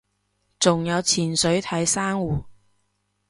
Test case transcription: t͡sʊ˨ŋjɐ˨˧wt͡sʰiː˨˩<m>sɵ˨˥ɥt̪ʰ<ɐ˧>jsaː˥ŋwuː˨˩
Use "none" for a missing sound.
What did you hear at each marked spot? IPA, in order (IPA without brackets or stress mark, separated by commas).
n, ɐ˨˥